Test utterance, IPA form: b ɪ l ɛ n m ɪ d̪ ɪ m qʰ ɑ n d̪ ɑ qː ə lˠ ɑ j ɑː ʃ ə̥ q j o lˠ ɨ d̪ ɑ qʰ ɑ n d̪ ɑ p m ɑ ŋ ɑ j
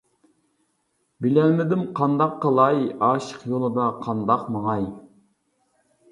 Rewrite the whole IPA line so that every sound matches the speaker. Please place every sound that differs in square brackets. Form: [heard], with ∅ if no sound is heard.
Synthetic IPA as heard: b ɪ l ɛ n m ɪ d̪ ɪ m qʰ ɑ n d̪ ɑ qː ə lˠ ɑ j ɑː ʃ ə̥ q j o lˠ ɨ d̪ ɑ qʰ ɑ n d̪ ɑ [q] m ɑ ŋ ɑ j